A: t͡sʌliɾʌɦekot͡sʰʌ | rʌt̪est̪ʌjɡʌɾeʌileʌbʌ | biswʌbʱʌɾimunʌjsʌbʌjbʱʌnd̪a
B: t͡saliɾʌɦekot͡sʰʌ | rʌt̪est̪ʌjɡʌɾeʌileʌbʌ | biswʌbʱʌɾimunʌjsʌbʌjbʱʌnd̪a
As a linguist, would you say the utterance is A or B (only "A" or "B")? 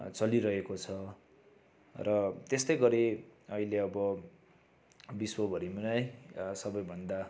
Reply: A